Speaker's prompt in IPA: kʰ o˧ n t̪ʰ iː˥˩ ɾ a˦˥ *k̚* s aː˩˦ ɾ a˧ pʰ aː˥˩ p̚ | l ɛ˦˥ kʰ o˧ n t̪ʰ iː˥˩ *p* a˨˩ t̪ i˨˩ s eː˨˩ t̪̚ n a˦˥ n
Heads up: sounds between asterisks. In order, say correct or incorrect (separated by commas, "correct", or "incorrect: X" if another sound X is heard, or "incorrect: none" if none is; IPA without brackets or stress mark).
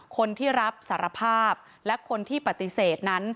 incorrect: p̚, correct